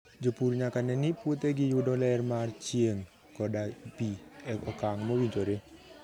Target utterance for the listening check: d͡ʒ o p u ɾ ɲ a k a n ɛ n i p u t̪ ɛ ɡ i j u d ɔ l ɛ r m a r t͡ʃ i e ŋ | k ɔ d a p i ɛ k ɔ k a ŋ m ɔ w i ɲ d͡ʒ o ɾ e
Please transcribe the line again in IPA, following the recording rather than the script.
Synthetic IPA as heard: d͡ʒ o p u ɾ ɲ a k a n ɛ n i p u t̪ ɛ ɡ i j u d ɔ l ɛ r m a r t͡ʃ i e ŋ | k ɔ d a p i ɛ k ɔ k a ŋ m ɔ w i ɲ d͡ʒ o ɾ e